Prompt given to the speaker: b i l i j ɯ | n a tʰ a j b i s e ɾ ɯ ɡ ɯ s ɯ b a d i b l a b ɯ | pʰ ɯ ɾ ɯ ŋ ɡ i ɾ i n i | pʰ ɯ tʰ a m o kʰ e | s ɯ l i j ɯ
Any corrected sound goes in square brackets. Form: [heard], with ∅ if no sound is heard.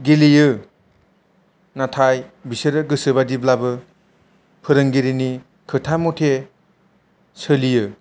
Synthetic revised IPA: [ɡ] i l i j ɯ | n a tʰ a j b i s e ɾ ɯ ɡ ɯ s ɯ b a d i b l a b ɯ | pʰ ɯ ɾ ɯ ŋ ɡ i ɾ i n i | [kʰ] ɯ tʰ a m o [tʰ] e | s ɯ l i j ɯ